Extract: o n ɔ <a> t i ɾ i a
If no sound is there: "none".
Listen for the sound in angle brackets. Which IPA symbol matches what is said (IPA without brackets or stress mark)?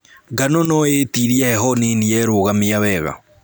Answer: e